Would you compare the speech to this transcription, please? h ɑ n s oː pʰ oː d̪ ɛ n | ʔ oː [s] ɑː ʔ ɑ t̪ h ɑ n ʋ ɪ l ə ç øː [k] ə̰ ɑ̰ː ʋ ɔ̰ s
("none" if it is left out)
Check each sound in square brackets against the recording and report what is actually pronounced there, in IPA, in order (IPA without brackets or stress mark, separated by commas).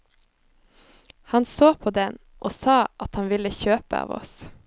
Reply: s, p